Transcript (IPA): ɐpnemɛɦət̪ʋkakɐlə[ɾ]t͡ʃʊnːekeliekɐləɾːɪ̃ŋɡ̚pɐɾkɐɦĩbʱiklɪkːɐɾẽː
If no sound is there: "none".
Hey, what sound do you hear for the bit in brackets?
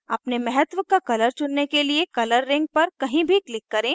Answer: ɾ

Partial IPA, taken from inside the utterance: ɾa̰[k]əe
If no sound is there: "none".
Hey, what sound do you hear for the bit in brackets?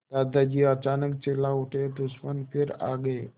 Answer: ɡ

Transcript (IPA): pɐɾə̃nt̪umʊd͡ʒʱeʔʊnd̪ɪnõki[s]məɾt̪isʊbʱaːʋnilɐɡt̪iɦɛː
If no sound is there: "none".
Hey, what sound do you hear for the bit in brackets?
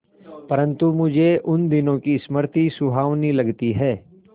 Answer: s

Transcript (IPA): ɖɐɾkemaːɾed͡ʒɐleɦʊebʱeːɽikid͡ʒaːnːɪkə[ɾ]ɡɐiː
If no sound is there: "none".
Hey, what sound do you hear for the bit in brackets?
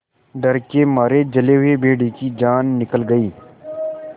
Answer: l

